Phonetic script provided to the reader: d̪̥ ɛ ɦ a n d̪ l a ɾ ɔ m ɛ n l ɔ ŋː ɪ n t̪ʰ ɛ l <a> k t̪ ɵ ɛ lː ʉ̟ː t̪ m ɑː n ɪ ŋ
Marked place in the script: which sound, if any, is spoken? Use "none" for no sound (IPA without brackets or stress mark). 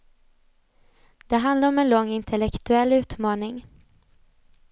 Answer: ɛ